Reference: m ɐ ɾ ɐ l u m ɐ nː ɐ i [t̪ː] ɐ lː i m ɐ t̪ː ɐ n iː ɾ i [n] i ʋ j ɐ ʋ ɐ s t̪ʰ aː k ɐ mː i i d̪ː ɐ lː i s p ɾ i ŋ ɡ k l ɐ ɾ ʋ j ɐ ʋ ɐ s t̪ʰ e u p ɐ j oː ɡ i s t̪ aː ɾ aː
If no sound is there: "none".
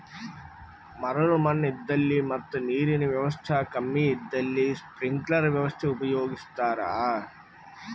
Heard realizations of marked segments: d̪ː, n

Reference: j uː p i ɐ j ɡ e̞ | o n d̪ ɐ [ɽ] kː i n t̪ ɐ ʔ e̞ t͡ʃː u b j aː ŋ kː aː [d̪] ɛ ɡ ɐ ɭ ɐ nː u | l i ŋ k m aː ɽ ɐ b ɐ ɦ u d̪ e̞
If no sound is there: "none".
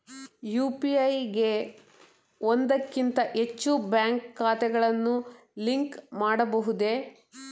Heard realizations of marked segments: none, t̪

